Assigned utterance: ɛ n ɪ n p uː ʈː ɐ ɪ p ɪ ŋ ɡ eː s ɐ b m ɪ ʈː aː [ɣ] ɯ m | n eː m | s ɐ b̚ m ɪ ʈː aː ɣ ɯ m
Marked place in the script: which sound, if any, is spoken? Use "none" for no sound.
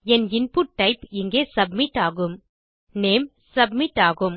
ɣ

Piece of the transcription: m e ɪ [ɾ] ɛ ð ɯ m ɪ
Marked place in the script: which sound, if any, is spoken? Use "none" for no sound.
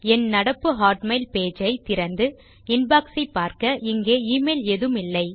l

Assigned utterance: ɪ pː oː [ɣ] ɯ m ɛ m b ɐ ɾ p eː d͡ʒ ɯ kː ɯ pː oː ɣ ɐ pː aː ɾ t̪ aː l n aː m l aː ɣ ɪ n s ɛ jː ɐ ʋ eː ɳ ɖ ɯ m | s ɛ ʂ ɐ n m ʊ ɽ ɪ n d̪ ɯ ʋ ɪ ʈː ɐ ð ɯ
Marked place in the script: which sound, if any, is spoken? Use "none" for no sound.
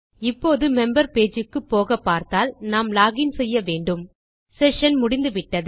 ð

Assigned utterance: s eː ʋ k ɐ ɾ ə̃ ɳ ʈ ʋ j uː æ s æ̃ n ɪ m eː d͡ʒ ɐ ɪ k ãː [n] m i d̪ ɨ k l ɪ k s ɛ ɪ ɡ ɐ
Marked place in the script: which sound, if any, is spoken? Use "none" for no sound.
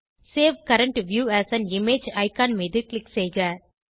n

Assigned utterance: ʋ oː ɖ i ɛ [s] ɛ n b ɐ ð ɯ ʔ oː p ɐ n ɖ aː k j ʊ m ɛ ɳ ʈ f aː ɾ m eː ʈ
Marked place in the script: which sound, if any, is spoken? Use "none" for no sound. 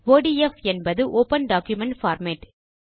f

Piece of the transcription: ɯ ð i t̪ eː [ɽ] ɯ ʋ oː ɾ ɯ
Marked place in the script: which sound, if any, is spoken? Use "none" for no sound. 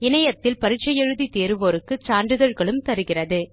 ɾ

